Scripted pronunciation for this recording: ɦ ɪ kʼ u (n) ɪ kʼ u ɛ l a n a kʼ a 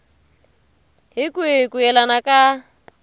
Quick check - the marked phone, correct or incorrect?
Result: incorrect